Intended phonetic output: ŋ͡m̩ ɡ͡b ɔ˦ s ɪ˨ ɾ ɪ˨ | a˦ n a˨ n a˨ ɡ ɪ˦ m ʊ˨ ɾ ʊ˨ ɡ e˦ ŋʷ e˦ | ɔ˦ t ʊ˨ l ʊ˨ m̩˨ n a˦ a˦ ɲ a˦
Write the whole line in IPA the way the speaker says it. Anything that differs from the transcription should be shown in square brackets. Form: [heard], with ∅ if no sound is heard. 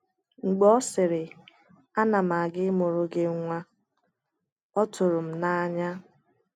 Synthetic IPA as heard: ŋ͡m̩ ɡ͡b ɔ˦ s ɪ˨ ɾ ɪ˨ | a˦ n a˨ [m] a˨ ɡ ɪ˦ m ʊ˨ ɾ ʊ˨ ɡ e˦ ŋʷ [a˦] | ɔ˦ t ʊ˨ [ɾ] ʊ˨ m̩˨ n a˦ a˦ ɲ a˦